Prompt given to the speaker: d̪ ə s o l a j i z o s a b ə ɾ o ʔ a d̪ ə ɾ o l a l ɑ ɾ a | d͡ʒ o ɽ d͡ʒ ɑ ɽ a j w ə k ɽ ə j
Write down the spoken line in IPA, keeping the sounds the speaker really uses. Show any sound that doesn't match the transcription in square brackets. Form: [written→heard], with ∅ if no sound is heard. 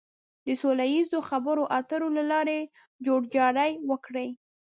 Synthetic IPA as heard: d̪ ə s o l a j i z o [s→x] a b ə ɾ o ʔ a [d̪→t̪] ə ɾ o l a l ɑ ɾ [a→e] | d͡ʒ o ɽ d͡ʒ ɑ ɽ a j w ə k ɽ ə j